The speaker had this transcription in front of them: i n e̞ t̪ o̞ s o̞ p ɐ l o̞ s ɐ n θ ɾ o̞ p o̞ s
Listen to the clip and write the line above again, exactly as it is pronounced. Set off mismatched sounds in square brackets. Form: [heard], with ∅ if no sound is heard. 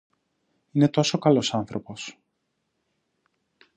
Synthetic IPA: i n e̞ t̪ o̞ s o̞ [k] ɐ l o̞ s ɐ n θ ɾ o̞ p o̞ s